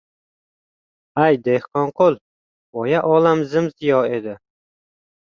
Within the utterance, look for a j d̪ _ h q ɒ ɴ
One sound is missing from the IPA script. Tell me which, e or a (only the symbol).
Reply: e